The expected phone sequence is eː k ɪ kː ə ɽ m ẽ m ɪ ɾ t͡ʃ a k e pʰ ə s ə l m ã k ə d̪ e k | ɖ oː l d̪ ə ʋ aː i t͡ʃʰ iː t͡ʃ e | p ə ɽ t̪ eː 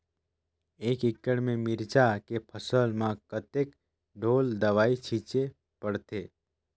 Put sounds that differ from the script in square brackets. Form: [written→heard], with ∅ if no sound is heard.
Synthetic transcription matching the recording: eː k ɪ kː ə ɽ m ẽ m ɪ ɾ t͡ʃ a k e pʰ ə s ə l m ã k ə [d̪→t̪] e k | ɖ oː l d̪ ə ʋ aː i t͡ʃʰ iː t͡ʃ e | p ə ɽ t̪ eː